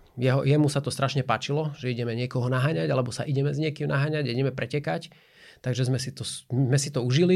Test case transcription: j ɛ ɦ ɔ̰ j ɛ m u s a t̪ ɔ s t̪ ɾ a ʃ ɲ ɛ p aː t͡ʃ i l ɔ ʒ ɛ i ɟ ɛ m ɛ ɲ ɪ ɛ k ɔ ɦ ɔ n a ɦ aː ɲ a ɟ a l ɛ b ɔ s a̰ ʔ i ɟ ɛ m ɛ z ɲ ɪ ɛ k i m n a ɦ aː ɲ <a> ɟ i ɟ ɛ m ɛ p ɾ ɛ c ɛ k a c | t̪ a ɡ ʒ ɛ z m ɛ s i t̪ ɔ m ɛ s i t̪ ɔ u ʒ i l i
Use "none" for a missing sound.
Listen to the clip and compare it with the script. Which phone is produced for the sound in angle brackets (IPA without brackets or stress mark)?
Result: a